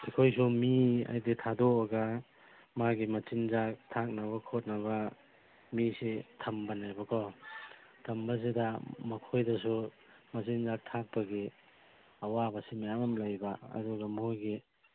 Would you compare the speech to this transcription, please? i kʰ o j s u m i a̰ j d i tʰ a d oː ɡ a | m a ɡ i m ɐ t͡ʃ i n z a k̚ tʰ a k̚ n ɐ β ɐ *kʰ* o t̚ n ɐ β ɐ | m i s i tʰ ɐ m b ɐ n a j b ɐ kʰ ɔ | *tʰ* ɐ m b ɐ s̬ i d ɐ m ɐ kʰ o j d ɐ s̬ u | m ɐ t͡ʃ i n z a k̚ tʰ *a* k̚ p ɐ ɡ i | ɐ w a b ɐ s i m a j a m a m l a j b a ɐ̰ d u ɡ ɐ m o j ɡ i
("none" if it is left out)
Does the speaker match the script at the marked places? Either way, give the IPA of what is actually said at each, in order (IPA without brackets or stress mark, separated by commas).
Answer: kʰ, tʰ, a